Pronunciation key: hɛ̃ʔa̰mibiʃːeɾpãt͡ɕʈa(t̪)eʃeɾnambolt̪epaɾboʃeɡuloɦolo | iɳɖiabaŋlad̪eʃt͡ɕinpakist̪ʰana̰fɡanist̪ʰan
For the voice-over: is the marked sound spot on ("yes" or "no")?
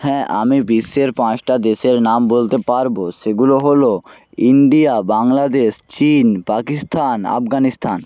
no